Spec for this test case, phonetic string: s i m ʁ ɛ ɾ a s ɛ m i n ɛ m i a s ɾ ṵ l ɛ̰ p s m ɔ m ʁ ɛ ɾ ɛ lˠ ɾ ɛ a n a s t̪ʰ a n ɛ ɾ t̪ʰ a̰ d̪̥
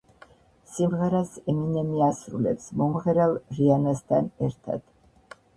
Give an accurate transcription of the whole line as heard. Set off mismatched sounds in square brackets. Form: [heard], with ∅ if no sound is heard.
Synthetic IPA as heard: s i m ʁ ɛ ɾ a s ɛ m i n ɛ m i a s ɾ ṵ l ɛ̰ p s m ɔ m ʁ ɛ ɾ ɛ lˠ ɾ [i] a n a s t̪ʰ a n ɛ ɾ t̪ʰ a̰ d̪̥